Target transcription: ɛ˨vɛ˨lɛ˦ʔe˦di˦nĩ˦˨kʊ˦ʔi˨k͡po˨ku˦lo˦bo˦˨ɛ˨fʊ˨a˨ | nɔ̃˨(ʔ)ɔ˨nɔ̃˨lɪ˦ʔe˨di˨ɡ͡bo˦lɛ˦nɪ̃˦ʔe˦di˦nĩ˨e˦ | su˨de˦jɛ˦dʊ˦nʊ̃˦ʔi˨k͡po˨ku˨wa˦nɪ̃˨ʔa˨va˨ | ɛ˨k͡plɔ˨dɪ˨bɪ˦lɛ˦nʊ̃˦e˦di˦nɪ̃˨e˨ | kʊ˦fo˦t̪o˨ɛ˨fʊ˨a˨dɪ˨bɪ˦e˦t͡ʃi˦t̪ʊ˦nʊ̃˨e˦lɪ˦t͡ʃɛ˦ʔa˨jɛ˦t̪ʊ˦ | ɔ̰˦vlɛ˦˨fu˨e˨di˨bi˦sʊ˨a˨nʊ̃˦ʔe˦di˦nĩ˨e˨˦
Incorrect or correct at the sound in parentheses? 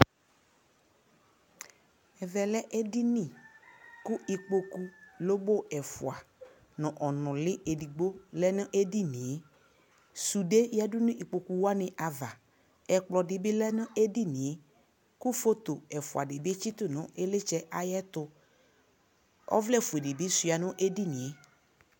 correct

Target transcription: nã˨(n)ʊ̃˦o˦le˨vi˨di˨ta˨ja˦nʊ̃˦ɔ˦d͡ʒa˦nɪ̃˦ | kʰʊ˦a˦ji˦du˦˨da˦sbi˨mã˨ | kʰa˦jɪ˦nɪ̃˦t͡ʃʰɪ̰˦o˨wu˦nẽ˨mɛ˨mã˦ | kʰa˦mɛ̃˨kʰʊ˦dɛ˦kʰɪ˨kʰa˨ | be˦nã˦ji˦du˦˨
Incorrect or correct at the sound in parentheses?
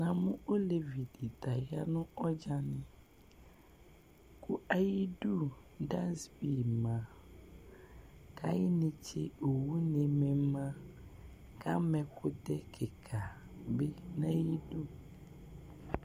incorrect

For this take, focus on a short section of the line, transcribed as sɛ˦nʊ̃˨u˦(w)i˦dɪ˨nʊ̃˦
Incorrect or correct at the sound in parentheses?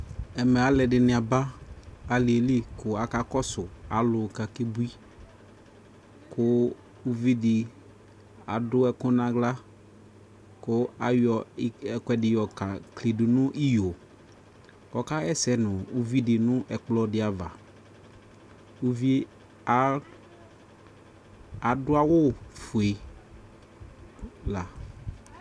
incorrect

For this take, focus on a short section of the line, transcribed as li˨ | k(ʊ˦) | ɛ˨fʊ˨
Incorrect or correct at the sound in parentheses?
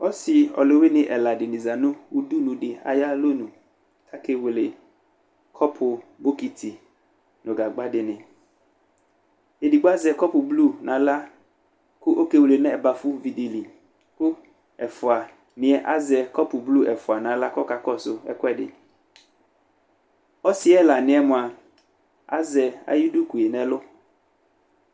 correct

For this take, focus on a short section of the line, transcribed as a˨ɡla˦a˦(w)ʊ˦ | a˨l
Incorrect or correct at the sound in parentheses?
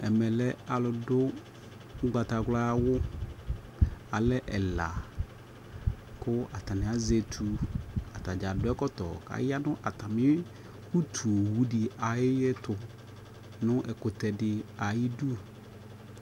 correct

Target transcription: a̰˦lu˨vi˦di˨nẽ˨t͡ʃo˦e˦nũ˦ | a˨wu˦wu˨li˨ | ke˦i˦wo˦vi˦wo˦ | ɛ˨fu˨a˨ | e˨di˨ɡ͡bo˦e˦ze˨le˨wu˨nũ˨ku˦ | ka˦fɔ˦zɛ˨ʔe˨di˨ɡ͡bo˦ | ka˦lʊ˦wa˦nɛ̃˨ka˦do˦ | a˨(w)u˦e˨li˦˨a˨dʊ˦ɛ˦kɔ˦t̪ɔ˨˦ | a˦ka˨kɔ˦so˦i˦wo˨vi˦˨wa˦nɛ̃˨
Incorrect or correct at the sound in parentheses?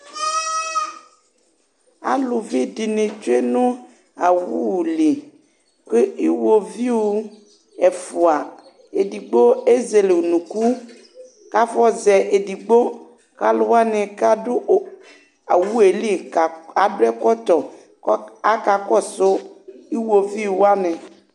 correct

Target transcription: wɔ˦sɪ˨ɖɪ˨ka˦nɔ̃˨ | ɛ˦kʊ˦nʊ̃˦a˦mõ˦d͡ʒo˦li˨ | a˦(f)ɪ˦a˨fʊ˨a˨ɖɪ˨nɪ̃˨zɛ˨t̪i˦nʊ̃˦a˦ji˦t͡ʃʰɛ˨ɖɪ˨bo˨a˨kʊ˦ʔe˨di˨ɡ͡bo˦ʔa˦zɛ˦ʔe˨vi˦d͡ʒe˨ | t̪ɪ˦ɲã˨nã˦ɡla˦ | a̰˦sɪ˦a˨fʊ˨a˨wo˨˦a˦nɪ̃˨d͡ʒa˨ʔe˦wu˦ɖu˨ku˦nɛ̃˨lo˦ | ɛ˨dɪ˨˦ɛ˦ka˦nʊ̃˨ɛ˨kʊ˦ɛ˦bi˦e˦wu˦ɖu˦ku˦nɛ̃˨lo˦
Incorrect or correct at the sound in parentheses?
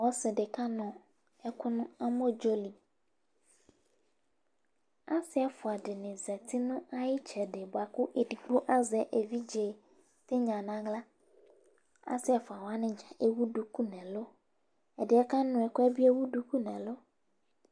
incorrect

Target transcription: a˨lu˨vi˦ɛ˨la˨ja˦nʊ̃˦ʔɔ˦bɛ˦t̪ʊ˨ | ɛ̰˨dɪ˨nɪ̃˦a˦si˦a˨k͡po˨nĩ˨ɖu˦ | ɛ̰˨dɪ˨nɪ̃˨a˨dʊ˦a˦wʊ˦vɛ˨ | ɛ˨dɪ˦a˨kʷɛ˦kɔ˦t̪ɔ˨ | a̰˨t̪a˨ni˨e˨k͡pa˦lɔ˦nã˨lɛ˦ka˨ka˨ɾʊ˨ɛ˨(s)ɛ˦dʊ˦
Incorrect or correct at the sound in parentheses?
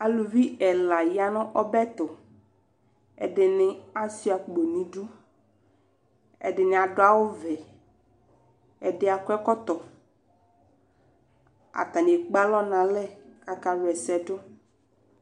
correct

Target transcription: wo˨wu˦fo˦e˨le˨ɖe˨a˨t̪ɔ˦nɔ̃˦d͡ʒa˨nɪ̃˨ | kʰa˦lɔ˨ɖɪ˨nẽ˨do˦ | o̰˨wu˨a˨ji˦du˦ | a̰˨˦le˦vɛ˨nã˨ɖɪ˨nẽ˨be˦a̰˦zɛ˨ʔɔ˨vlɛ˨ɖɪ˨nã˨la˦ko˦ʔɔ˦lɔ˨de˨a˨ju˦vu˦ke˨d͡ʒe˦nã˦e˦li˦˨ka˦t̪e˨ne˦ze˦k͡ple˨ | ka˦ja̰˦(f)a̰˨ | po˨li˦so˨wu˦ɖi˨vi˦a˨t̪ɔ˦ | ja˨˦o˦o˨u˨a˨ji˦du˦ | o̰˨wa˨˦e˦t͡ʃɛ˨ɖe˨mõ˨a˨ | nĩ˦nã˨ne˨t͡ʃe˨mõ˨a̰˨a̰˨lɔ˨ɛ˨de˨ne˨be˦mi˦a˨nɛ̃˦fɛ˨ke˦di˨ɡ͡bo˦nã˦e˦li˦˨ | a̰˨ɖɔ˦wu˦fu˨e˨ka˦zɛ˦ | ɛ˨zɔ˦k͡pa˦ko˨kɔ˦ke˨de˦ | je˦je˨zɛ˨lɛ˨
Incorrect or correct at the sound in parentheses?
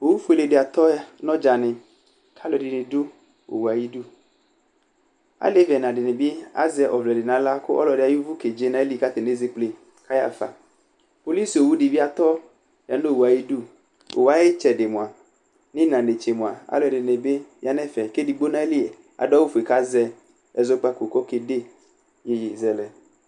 correct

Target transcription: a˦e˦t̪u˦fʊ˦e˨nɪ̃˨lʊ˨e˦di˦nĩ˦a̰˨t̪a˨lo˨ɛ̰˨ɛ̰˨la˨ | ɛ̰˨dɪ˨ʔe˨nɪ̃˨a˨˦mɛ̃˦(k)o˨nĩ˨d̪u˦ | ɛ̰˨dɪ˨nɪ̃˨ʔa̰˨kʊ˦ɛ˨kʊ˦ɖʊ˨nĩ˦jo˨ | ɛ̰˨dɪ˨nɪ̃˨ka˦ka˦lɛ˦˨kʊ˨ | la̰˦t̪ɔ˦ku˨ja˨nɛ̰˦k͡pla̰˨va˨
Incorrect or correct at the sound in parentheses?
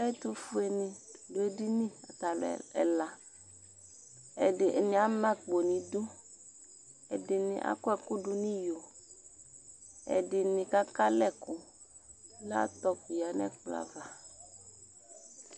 incorrect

